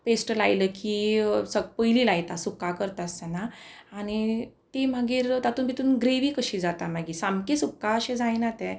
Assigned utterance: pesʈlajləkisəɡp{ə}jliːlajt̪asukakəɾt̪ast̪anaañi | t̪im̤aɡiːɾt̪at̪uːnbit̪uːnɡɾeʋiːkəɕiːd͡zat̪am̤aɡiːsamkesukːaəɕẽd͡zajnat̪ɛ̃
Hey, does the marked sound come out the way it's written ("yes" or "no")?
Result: yes